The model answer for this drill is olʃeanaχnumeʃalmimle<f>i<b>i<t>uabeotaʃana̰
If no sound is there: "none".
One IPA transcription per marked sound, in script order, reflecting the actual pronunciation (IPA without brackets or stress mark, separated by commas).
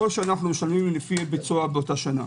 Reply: f, b, t͡s